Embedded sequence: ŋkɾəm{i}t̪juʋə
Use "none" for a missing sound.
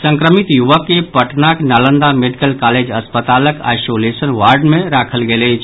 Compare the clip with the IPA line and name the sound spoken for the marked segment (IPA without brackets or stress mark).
i